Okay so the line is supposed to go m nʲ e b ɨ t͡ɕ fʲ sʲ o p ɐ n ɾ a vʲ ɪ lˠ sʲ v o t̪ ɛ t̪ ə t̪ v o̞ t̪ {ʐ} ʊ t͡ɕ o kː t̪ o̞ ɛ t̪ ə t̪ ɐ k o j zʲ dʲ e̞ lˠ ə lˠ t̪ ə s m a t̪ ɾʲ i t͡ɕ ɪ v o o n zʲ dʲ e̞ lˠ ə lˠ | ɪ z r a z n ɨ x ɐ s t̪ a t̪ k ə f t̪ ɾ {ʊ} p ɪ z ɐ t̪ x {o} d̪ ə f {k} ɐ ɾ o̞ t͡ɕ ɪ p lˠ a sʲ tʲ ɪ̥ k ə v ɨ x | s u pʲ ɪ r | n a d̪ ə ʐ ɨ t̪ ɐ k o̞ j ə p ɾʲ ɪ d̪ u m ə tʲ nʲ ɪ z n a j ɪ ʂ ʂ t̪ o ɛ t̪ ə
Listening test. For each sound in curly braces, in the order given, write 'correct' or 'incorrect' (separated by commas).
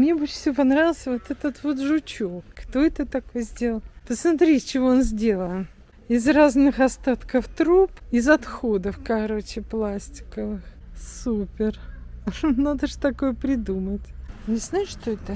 correct, incorrect, correct, correct